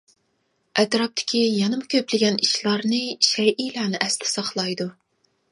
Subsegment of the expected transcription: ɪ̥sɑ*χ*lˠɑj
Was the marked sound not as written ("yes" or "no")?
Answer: no